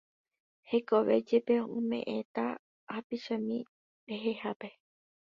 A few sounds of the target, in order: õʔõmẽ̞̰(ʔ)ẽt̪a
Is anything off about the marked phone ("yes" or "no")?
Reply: no